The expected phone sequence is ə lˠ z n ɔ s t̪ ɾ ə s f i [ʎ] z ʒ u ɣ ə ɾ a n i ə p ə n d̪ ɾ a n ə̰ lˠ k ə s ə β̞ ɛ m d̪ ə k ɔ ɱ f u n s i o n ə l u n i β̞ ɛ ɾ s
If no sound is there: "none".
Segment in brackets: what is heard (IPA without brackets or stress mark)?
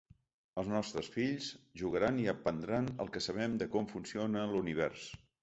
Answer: ʎ